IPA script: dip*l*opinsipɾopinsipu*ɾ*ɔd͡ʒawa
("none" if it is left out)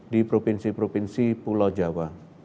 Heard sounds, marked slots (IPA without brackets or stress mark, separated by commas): ɾ, l